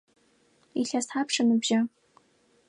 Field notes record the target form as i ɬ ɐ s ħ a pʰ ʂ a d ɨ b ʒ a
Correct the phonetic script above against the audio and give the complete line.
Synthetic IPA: i ɬ a s ħ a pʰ ʂ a n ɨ b ʒ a